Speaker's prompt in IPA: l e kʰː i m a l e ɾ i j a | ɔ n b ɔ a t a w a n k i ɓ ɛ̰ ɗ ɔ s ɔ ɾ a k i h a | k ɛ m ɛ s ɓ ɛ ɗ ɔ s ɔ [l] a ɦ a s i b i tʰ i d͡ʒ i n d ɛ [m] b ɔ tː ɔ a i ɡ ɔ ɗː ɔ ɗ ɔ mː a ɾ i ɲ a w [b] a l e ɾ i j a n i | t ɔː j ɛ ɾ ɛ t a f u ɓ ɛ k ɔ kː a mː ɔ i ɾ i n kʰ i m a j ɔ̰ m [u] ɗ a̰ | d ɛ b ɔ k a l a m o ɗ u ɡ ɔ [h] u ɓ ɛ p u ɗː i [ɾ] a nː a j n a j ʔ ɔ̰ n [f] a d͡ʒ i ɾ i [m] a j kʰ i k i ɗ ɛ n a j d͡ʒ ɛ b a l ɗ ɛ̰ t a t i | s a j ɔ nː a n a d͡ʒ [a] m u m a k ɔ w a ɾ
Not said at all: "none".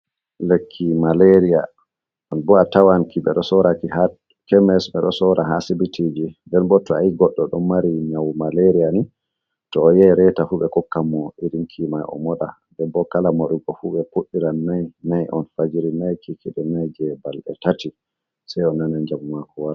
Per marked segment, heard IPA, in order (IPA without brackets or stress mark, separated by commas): ɾ, n, m, ɔ, f, ɾ, f, n, a